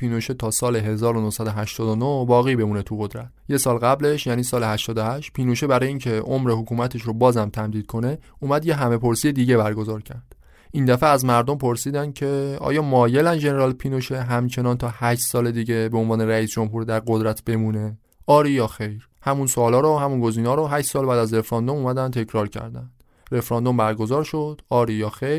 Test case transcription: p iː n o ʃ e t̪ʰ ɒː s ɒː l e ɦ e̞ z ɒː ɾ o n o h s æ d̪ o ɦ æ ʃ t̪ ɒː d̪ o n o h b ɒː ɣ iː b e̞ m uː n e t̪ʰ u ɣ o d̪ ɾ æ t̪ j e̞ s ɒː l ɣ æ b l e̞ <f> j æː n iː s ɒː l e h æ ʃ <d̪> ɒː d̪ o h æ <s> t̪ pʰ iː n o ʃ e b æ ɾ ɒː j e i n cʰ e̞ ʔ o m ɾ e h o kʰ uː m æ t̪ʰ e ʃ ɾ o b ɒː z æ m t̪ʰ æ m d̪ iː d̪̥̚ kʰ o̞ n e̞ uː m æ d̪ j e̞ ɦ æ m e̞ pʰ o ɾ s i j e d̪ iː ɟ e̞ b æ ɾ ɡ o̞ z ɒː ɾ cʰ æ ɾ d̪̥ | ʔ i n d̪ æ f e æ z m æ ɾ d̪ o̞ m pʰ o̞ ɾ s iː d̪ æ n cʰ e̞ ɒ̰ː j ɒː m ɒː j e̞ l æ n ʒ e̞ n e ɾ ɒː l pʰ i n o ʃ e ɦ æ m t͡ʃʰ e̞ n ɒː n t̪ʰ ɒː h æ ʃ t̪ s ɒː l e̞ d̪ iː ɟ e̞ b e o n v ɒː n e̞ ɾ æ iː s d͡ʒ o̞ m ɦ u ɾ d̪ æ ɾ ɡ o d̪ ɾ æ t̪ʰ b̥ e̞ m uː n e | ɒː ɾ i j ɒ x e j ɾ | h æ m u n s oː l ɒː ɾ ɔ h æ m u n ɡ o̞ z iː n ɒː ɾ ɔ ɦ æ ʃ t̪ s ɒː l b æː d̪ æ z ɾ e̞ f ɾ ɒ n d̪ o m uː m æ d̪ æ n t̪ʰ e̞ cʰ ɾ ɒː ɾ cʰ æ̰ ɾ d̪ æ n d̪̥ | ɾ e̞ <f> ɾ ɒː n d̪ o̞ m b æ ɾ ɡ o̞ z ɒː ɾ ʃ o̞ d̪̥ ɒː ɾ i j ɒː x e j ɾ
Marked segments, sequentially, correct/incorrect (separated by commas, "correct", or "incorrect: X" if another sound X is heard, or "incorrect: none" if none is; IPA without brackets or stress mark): incorrect: ʃ, incorrect: t̪, incorrect: ʃ, correct